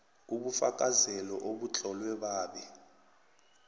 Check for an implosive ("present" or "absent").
present